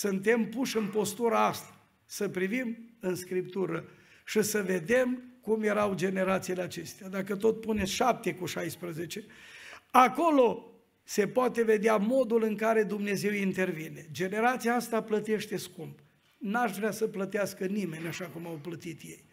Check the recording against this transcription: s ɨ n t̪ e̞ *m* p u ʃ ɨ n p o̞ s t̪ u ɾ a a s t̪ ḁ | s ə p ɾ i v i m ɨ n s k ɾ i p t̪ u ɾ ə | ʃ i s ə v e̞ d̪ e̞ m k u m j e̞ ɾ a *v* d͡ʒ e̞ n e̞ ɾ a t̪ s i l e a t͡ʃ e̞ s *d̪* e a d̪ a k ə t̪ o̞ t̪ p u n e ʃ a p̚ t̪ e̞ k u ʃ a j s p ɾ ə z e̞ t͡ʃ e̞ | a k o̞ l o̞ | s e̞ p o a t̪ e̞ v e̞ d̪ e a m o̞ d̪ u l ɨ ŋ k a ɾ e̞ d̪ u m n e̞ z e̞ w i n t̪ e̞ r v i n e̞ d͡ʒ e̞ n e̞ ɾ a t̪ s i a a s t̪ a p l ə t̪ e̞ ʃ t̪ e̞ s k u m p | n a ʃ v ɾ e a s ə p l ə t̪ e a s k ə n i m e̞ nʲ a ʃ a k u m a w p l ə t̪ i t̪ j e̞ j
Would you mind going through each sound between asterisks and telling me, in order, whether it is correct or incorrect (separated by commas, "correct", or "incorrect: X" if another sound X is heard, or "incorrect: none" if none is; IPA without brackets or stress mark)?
correct, incorrect: w, incorrect: t̪